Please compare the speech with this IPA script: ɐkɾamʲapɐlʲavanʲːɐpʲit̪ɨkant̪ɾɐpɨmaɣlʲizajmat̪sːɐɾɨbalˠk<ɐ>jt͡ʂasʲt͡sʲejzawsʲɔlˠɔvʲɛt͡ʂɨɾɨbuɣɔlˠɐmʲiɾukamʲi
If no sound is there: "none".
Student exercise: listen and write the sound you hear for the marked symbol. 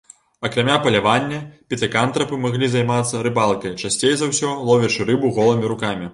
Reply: ɐ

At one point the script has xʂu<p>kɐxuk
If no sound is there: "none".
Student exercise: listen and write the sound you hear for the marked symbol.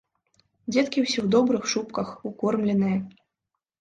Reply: p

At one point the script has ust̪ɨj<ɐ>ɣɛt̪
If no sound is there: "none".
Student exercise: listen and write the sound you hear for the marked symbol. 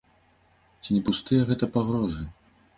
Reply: ɐ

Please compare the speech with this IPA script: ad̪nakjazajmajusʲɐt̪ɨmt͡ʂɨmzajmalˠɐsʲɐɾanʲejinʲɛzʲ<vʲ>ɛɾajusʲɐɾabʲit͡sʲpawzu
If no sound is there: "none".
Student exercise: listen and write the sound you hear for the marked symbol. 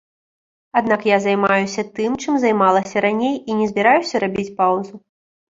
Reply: bʲ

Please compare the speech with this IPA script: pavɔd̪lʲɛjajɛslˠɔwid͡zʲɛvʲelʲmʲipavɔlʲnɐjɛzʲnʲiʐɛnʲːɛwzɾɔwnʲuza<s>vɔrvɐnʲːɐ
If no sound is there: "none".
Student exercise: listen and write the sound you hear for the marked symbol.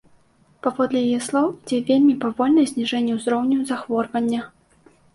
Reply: x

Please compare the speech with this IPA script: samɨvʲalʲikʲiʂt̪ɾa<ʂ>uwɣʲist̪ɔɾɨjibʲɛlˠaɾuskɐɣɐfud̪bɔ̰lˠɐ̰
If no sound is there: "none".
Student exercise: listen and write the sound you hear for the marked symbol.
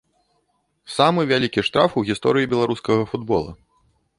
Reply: f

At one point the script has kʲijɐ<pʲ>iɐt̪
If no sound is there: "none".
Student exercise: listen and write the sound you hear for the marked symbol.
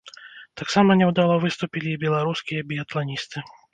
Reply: bʲ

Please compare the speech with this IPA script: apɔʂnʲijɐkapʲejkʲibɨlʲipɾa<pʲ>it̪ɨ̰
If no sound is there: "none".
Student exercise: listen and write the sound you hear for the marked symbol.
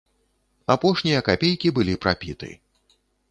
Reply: pʲ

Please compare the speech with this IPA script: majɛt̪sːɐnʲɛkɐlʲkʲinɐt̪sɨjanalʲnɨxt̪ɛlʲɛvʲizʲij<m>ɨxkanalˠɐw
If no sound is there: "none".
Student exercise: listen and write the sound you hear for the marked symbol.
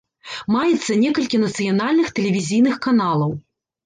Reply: n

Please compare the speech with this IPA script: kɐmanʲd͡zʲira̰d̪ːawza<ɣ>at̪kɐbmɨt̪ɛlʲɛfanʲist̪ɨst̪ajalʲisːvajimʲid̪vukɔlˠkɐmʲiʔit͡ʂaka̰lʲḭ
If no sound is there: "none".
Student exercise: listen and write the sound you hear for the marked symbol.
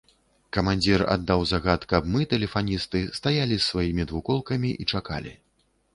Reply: ɣ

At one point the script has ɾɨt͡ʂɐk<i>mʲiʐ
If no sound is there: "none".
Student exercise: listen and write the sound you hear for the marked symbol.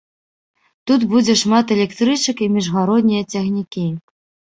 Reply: i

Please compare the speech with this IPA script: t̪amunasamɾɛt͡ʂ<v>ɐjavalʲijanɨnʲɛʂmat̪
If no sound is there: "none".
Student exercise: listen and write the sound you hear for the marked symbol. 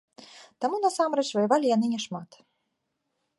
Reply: v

